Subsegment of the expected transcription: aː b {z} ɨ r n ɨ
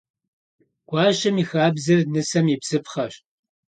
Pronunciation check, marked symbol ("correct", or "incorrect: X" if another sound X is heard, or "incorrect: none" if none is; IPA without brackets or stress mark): correct